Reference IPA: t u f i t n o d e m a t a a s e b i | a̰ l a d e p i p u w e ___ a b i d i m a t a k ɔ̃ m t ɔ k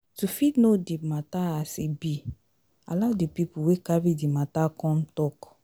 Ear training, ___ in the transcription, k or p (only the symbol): k